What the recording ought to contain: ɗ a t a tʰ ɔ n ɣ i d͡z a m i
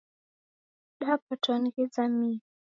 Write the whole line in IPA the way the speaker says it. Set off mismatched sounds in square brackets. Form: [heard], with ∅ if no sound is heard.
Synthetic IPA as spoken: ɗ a [p] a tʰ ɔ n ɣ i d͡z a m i